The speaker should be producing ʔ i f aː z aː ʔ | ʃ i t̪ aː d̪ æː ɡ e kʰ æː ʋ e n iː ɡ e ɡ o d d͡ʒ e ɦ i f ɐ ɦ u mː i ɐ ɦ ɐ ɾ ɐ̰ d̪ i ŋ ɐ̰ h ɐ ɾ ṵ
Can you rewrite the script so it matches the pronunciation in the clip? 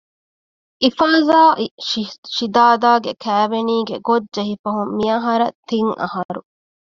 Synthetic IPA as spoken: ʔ i f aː z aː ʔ | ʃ i d̪ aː d̪ aː ɡ e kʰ æː ʋ e n iː ɡ e ɡ o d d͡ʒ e ɦ i f ɐ ɦ u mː i ɐ ɦ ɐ ɾ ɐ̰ t̪ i ŋ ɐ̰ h ɐ ɾ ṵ